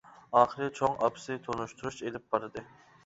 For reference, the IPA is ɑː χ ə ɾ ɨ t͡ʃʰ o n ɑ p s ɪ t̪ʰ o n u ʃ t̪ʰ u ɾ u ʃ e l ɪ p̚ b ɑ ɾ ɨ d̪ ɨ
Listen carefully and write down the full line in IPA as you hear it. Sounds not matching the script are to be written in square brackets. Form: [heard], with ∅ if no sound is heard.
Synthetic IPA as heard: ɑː χ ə ɾ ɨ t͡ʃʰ o [ŋ] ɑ p s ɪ t̪ʰ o n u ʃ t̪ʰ u ɾ u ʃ e l ɪ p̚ b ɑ ɾ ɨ d̪ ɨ